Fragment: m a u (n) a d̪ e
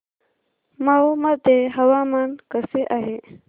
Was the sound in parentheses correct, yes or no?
no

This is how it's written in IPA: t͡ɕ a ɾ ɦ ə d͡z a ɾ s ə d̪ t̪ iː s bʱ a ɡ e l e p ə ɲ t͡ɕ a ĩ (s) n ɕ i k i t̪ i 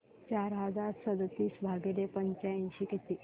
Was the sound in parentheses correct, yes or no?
no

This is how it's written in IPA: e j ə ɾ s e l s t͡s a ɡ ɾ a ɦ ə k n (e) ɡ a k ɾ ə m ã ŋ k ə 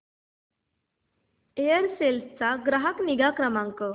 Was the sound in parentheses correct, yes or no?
no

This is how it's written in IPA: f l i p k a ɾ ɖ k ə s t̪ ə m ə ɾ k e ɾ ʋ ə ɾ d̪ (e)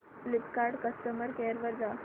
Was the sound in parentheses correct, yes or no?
no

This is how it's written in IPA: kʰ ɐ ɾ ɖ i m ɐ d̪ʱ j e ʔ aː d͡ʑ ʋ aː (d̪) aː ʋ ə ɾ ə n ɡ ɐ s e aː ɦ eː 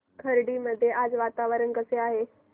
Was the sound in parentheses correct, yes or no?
no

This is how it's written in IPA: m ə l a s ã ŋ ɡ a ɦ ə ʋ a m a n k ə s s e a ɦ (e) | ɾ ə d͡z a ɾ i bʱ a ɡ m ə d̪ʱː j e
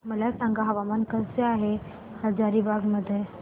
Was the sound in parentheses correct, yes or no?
yes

